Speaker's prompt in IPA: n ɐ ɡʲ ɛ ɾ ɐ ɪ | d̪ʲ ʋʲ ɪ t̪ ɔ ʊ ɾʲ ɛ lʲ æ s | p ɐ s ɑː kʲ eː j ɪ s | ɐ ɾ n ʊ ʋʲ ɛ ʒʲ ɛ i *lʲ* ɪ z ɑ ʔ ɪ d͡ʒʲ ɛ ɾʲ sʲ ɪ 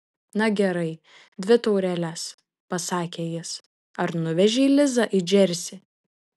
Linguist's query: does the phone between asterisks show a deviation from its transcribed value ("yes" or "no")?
no